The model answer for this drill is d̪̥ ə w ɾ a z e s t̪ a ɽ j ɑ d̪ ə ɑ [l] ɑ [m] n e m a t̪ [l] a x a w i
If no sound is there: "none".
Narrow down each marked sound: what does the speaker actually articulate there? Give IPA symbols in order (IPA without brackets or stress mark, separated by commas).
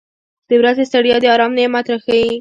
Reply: ɾ, m, ɾ